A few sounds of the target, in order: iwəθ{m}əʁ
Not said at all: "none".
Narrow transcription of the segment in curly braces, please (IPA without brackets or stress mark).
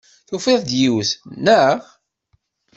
n